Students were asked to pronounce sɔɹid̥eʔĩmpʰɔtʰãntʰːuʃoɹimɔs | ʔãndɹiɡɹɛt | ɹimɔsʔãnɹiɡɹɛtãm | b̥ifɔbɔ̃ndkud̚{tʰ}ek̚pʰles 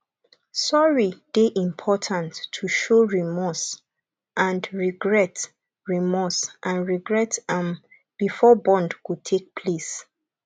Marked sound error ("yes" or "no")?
no